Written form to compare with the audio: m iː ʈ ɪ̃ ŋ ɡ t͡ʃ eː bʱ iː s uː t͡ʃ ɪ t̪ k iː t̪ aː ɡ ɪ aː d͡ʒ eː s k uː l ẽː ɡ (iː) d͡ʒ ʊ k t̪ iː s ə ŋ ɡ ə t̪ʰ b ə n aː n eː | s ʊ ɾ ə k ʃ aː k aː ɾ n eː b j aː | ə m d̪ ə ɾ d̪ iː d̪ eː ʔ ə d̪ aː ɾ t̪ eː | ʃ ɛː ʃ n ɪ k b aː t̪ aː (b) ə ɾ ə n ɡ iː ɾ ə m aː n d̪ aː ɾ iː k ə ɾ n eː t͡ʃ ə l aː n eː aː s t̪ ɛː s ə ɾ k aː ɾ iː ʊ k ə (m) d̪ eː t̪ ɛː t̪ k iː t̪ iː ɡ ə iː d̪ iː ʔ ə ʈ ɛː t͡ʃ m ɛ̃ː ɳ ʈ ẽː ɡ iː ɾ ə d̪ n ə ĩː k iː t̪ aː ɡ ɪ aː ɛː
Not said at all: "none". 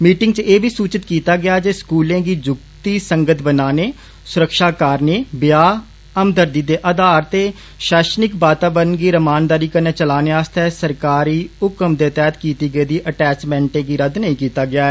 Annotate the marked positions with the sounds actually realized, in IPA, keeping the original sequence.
iː, b, m

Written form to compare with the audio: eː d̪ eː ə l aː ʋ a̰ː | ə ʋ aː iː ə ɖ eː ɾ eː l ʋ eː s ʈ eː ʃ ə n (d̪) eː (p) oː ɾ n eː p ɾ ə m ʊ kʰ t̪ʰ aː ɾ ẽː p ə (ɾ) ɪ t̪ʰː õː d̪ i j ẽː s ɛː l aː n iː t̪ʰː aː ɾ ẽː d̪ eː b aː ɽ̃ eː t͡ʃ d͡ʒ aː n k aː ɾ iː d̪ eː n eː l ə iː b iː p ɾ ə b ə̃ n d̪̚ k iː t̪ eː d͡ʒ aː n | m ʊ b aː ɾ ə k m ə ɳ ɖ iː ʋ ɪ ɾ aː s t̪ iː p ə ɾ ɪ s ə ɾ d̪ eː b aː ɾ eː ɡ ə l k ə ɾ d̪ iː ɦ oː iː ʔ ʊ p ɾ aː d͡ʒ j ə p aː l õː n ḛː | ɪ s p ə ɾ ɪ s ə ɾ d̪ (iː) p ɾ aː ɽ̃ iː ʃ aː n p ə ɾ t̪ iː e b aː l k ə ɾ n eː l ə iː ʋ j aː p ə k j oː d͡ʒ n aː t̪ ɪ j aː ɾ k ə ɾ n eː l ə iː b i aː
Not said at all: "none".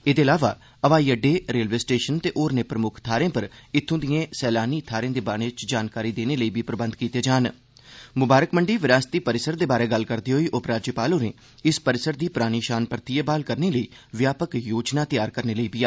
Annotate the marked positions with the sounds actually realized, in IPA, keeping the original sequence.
t̪, ʔ, ɾ, iː

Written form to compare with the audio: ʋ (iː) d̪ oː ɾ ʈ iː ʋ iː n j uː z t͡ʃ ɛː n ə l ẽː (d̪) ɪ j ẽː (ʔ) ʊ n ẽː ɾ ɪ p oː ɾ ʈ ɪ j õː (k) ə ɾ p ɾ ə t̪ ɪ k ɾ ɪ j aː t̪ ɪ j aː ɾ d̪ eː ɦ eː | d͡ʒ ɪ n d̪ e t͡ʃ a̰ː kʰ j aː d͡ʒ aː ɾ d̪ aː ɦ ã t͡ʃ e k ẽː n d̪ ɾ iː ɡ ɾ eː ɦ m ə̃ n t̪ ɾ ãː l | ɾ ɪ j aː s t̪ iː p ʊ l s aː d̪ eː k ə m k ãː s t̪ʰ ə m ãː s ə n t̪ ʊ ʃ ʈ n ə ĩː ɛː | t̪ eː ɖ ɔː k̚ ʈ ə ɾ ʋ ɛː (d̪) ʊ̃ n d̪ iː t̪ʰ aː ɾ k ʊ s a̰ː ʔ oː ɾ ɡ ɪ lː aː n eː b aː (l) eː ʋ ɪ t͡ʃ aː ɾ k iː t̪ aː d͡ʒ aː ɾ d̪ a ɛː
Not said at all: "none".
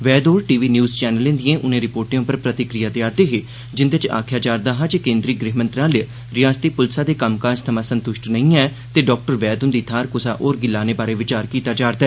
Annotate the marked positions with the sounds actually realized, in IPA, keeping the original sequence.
ɛː, d̪, ʔ, p, d̪, ɾ

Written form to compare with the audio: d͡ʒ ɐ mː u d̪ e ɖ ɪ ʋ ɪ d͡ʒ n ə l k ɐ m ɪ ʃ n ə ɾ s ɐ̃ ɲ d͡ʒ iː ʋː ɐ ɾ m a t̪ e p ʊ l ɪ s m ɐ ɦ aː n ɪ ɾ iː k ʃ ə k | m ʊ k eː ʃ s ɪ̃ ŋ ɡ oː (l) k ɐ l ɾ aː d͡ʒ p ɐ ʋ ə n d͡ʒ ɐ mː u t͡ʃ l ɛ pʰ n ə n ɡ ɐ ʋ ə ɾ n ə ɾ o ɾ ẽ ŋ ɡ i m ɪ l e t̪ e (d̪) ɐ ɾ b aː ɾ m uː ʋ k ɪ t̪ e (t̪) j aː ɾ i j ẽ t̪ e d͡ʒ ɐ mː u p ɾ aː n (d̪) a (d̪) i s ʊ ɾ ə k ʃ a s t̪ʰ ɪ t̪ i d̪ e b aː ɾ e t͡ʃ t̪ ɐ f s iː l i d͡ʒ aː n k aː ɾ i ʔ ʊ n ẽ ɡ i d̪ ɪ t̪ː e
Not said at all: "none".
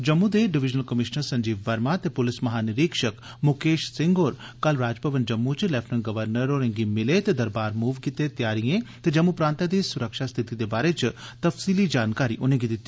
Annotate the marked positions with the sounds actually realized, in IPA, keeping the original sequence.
ɾ, d̪, t̪, t̪, d̪

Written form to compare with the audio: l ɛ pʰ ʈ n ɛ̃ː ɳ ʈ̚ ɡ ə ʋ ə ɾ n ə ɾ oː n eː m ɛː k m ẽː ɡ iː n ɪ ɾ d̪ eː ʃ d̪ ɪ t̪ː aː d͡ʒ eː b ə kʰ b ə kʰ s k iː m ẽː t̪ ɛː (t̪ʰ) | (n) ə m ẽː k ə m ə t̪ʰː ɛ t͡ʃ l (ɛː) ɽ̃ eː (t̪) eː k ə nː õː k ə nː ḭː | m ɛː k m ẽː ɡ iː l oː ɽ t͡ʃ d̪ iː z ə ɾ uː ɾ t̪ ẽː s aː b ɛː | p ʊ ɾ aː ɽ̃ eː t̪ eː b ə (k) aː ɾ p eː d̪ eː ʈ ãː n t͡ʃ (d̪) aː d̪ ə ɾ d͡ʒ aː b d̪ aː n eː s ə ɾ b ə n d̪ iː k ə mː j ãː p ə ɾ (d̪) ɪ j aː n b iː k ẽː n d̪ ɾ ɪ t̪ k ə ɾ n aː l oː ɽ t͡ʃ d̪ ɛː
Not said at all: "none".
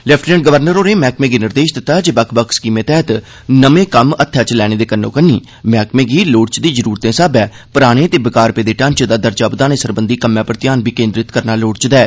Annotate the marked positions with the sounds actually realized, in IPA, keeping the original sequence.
t̪, n, ɛː, d̪, k, d̪, t̪

